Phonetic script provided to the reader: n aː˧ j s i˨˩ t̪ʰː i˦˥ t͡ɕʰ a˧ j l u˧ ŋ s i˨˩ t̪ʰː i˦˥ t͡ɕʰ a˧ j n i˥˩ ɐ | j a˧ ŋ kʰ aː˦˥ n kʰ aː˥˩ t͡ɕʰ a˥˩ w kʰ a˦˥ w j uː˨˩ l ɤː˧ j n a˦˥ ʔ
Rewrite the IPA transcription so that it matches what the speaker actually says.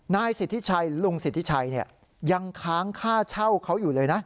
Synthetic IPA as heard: n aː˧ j s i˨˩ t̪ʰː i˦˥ t͡ɕʰ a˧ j l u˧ ŋ s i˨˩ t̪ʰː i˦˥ t͡ɕʰ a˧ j n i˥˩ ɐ | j a˧ ŋ kʰ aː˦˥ ŋ kʰ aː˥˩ t͡ɕʰ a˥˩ w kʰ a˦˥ w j uː˨˩ l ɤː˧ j n a˦˥ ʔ